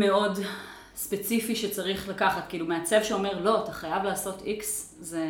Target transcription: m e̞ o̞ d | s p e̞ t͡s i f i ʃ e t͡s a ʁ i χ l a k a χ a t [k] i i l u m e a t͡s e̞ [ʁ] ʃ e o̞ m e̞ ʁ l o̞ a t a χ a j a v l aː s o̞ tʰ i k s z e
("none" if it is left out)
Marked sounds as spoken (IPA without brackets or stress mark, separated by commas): k, v